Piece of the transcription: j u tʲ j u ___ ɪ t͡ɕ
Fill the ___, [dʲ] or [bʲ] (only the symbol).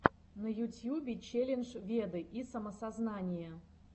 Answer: bʲ